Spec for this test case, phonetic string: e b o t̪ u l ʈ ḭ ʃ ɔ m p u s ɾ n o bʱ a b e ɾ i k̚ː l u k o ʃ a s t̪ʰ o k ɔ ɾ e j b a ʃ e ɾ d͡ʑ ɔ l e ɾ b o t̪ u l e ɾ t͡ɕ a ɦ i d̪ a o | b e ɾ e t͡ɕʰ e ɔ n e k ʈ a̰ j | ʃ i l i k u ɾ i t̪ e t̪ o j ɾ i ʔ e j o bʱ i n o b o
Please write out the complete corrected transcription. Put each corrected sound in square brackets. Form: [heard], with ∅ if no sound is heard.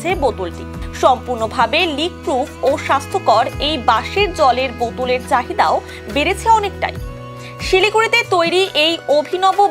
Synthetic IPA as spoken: e b o t̪ u l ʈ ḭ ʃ ɔ m p u [∅] ɾ n o bʱ a b e [l] i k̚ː [ɾ] u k o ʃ a s t̪ʰ o k ɔ ɾ e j b a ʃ e ɾ d͡ʑ ɔ l e ɾ b o t̪ u l e ɾ t͡ɕ a ɦ i d̪ a o | b e ɾ e t͡ɕʰ e ɔ n e k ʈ a̰ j | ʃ i l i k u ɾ i t̪ e t̪ o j ɾ i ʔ e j o bʱ i n [ɔ] b o